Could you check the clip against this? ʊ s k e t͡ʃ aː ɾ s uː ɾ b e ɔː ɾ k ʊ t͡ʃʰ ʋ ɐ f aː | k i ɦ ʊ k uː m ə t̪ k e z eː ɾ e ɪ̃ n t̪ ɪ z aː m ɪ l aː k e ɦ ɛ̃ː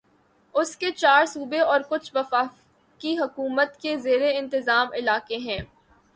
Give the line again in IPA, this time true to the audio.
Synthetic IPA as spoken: ʊ s k e t͡ʃ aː ɾ s uː b e ɔː ɾ k ʊ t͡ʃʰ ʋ ɐ f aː | k i ɦ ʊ k uː m ə t̪ k e z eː ɾ e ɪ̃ n t̪ ɪ z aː m ɪ l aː k e ɦ ɛ̃ː